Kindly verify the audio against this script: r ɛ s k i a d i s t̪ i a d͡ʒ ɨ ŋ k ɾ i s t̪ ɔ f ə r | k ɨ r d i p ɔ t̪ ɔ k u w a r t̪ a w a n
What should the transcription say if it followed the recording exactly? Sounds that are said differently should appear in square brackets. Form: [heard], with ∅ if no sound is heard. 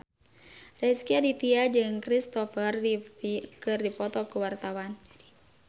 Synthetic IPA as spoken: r ɛ s k i a d i [∅] t̪ i a d͡ʒ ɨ ŋ k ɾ i s t̪ ɔ f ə r | k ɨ r d i p ɔ t̪ ɔ k u w a r t̪ a w a n